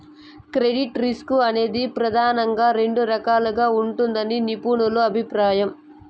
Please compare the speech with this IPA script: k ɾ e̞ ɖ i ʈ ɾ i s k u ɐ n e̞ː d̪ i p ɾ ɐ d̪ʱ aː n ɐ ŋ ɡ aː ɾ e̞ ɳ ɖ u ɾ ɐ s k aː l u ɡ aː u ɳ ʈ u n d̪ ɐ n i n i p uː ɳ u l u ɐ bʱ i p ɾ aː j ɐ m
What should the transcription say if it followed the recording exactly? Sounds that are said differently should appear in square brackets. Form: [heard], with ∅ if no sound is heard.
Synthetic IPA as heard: k ɾ e̞ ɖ i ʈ ɾ i s k u ɐ n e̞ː d̪ i p ɾ ɐ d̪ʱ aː n ɐ ŋ ɡ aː ɾ e̞ ɳ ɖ u ɾ ɐ [∅] k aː l u ɡ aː u ɳ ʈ u n d̪ ɐ n i n i p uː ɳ u l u ɐ bʱ i p ɾ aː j ɐ m